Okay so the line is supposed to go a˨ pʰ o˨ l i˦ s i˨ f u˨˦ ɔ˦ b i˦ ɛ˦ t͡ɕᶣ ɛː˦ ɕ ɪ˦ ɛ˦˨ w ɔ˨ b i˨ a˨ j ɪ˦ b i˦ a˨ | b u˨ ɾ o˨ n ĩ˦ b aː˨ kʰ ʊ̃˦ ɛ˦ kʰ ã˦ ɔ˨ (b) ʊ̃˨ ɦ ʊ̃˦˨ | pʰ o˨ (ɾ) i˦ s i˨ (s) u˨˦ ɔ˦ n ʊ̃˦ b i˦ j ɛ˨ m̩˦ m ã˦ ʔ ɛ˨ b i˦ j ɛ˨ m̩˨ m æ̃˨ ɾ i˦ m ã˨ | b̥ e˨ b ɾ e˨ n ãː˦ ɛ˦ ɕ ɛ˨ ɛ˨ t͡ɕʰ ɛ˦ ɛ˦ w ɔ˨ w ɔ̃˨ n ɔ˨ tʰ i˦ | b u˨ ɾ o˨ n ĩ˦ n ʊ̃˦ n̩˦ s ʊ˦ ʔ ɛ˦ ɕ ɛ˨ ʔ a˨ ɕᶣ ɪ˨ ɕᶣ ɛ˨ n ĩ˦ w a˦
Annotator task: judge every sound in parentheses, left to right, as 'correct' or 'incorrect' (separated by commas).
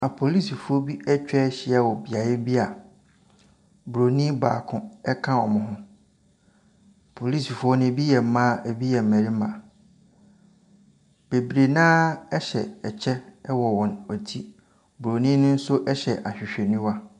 incorrect, incorrect, incorrect